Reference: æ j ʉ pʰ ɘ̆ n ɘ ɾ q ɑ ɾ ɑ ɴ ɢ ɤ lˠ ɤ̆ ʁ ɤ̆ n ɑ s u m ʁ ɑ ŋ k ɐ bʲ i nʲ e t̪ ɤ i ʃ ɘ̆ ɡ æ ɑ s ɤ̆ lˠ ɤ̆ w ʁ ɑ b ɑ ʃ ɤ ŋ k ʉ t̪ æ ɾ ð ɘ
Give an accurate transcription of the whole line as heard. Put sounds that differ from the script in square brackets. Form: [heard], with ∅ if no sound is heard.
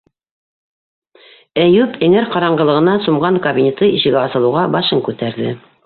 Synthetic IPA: æ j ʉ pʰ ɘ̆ [ŋ] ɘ ɾ q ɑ ɾ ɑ ɴ ɢ ɤ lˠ ɤ̆ ʁ ɤ̆ n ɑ s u m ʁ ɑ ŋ k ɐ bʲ i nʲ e t̪ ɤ i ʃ ɘ̆ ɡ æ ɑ s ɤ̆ lˠ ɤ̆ w ʁ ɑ b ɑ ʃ ɤ ŋ k ʉ t̪ æ ɾ ð ɘ